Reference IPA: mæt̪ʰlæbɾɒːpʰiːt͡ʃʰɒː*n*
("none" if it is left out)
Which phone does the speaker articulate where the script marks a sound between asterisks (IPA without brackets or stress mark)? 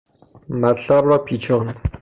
n